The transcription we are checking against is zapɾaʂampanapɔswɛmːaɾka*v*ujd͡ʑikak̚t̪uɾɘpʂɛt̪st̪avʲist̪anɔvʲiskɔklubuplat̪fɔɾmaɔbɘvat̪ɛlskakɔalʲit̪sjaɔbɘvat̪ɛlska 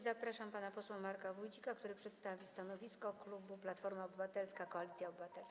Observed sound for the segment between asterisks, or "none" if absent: v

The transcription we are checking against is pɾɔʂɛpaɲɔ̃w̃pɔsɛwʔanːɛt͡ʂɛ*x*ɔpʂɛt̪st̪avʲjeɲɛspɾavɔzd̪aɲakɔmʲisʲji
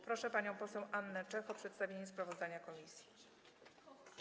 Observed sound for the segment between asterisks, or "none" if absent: x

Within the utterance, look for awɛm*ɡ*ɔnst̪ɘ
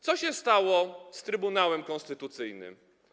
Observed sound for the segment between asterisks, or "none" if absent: k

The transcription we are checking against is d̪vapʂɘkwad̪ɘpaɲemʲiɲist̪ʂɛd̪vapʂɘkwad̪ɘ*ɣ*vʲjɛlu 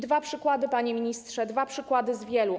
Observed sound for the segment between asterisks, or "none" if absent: z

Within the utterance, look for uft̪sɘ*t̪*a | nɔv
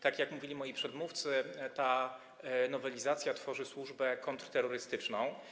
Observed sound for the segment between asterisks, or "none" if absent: t̪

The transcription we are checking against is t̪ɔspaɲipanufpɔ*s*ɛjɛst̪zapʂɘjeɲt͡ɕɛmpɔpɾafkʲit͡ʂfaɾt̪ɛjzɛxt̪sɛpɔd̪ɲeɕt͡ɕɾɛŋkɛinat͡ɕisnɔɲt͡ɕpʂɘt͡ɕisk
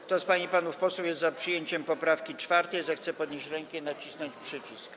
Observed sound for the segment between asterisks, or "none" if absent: s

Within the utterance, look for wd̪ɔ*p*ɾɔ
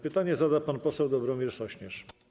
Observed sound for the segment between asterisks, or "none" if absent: b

